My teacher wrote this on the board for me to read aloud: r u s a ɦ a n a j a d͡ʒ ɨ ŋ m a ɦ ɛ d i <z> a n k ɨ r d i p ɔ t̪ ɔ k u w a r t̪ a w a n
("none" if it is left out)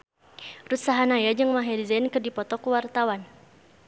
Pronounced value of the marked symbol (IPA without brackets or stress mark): z